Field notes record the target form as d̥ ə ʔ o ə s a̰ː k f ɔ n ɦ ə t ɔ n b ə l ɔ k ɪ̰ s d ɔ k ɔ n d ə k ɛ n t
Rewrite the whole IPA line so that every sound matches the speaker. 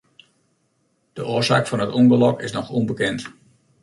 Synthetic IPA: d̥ ə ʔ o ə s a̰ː k f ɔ n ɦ ə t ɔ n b ə l ɔ k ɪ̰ s n ɔ x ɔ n b ə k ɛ n t